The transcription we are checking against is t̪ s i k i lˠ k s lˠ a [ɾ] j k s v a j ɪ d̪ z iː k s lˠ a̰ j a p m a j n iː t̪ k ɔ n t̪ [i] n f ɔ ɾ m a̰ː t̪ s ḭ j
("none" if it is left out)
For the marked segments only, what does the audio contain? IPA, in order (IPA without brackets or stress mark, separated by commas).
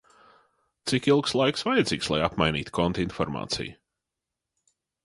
none, i